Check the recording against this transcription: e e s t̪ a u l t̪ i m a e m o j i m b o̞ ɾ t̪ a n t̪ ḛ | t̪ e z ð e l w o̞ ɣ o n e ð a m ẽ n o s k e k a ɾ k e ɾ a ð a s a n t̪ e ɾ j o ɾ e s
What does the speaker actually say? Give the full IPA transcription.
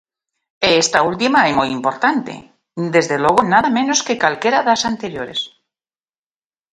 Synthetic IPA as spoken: e e s t̪ a u l t̪ i m a e m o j i m p o̞ ɾ t̪ a n t̪ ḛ | d̪ e z ð e l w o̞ ɣ o n a ð a m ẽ n o s k e k a l k e ɾ a ð a s a n t̪ e ɾ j o ɾ e s